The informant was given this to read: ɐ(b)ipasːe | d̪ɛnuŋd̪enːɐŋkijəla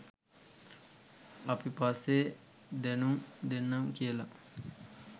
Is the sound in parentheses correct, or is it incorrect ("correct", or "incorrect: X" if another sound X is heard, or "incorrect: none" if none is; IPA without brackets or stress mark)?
incorrect: p